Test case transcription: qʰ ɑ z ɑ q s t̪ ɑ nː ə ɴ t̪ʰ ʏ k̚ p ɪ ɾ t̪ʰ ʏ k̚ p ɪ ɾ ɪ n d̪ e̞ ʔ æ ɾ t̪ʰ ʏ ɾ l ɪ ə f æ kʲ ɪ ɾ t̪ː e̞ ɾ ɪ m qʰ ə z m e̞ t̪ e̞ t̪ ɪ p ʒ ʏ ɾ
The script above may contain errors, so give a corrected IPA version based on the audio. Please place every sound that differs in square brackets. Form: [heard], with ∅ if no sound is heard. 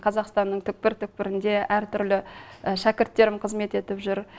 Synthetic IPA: qʰ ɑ z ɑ q s t̪ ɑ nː ə ɴ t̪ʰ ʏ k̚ p ɪ ɾ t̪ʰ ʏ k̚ p ɪ ɾ ɪ n d̪ e̞ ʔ æ ɾ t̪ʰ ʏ ɾ l ɪ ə [ʃ] æ kʲ ɪ ɾ t̪ː e̞ ɾ ɪ m qʰ ə z m e̞ t̪ e̞ t̪ ɪ p ʒ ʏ ɾ